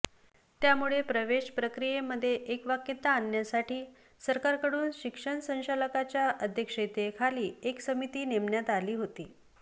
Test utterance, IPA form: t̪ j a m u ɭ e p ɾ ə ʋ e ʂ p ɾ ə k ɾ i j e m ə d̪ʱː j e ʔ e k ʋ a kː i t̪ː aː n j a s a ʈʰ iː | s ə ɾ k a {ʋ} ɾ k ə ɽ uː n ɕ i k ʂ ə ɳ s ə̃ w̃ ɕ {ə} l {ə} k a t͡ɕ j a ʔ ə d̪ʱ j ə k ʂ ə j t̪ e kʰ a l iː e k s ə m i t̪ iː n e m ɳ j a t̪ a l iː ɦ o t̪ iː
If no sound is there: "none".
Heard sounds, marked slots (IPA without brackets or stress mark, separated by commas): none, a, ə